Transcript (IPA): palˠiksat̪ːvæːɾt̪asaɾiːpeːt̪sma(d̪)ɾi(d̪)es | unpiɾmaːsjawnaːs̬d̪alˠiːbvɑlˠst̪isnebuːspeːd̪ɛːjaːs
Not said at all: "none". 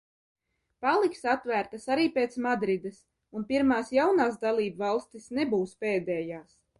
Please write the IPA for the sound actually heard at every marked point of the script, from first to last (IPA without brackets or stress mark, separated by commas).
d̪, d̪